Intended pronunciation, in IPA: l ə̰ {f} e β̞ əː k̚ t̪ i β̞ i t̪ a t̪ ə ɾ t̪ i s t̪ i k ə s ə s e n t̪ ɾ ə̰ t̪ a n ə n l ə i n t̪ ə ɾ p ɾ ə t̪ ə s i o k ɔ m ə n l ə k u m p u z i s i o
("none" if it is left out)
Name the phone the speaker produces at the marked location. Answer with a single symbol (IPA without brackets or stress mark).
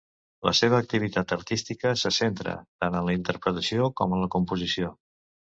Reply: s